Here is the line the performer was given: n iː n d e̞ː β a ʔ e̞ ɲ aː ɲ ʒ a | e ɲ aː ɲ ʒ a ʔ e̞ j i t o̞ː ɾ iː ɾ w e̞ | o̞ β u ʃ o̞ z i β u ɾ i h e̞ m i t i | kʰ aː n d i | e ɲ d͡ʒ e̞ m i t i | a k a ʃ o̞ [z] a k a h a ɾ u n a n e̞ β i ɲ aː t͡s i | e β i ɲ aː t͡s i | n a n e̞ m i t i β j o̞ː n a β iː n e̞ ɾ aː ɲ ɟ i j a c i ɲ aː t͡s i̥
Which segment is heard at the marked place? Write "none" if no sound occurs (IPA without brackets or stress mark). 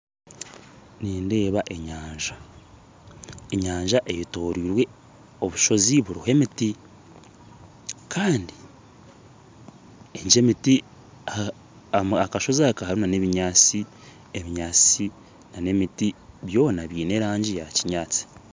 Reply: z